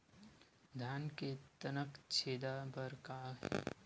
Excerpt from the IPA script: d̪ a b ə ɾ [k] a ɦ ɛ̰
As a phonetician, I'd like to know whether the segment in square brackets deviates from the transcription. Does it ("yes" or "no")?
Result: no